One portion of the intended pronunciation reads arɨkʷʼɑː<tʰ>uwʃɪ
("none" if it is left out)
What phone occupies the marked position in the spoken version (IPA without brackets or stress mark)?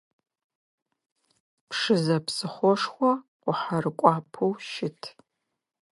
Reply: pʰ